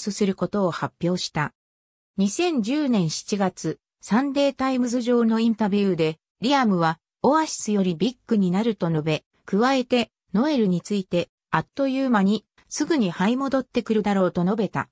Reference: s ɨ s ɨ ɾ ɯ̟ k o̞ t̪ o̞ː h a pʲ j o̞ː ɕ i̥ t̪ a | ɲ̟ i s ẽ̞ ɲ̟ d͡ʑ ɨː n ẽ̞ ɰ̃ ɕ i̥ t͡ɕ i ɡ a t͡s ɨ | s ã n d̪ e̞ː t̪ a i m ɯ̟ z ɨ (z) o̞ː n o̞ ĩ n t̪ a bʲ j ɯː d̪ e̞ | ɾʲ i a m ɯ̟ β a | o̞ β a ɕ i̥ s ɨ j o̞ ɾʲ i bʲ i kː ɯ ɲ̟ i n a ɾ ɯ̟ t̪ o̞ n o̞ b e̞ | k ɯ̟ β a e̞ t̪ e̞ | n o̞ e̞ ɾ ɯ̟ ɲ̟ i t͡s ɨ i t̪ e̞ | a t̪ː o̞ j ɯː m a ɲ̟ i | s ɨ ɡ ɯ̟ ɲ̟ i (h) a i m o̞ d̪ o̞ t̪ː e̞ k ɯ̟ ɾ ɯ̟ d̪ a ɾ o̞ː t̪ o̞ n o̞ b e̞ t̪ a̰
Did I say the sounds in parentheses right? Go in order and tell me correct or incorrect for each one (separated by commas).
incorrect, correct